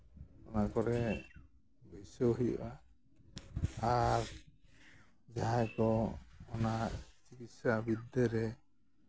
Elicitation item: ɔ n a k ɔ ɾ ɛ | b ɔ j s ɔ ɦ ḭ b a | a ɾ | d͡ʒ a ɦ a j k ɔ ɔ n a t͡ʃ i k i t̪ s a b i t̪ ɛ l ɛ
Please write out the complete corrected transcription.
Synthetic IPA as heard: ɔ n a k ɔ ɾ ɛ | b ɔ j s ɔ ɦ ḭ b a | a ɾ | d͡ʒ a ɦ a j k ɔ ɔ n a t͡ʃ i k i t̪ s a b i d̪ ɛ ɾ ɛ